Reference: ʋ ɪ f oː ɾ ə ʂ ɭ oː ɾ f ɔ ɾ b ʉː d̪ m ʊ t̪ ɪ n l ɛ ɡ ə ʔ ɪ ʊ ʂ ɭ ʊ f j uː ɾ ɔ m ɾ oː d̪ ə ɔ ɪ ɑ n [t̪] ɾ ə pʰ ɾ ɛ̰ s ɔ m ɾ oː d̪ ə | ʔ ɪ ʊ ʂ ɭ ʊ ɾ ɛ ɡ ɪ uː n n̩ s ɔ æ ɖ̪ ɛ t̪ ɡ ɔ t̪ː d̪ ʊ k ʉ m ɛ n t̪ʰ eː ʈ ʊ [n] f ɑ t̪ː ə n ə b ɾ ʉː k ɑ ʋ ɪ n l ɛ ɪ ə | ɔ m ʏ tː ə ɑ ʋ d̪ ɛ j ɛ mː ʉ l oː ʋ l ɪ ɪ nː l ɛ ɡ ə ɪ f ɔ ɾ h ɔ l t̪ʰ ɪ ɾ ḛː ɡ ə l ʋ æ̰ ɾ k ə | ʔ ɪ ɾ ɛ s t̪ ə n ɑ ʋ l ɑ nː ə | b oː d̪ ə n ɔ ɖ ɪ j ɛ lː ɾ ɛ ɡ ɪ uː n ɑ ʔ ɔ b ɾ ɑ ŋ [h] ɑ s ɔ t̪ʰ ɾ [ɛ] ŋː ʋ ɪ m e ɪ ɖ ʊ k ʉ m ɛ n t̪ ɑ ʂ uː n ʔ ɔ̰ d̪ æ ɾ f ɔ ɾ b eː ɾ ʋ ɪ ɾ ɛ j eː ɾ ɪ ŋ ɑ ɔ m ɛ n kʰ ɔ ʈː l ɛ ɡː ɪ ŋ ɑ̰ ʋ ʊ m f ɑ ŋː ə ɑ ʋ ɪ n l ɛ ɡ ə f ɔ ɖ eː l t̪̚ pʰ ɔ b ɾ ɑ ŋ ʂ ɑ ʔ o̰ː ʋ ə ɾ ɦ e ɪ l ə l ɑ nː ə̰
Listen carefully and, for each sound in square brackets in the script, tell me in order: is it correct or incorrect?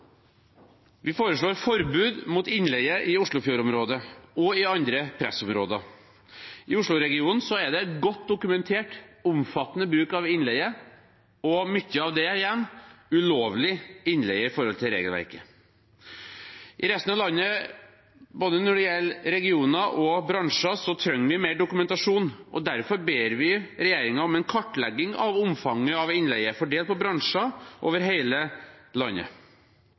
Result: incorrect, incorrect, incorrect, incorrect

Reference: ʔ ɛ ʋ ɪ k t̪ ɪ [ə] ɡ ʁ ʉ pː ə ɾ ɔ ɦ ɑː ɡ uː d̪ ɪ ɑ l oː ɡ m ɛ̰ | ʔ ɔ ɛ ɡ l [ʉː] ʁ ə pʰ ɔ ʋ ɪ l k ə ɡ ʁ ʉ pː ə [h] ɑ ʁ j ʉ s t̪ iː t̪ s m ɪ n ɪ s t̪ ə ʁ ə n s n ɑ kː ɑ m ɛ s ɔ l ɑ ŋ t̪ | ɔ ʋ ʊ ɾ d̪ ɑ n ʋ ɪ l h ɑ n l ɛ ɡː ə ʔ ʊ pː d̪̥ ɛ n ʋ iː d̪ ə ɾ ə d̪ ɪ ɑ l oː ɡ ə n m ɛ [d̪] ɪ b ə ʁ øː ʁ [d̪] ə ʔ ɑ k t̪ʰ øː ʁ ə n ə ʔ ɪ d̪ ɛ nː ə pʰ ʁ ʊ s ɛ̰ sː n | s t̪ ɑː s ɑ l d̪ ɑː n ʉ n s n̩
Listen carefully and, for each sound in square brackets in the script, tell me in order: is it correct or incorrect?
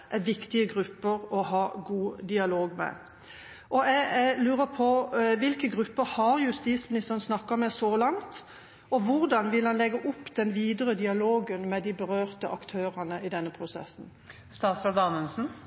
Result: correct, correct, correct, correct, incorrect

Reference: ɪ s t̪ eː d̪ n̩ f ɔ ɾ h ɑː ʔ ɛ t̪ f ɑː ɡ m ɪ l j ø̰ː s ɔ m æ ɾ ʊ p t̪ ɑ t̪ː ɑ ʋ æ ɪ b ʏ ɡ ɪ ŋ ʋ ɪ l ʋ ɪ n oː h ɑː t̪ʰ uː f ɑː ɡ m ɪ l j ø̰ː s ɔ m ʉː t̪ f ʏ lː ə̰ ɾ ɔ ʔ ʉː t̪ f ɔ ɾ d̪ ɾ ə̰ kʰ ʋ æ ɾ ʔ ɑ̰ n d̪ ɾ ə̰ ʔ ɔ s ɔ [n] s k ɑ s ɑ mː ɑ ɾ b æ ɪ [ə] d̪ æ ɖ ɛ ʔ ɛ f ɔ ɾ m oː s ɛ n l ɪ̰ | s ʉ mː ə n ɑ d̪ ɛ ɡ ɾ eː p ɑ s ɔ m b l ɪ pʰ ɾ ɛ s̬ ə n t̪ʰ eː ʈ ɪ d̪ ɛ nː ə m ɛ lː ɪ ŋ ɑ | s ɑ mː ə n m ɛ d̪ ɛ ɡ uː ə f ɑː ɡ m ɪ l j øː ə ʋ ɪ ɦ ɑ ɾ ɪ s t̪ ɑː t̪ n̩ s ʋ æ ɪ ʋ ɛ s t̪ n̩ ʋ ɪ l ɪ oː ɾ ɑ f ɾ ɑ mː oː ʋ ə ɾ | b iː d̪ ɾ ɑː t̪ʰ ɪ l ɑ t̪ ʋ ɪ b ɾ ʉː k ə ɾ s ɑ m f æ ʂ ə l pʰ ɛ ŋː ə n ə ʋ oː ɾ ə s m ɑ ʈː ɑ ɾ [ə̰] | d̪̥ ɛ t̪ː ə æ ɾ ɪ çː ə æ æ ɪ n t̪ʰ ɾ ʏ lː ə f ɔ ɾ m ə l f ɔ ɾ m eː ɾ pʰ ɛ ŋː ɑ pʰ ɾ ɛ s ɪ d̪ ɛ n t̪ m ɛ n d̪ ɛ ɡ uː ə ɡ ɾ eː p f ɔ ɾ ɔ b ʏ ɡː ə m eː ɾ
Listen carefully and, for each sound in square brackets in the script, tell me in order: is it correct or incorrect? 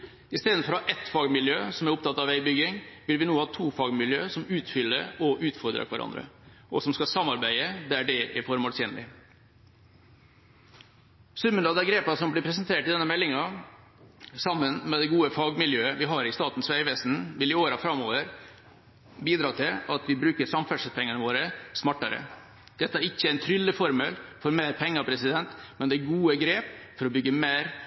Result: incorrect, correct, correct

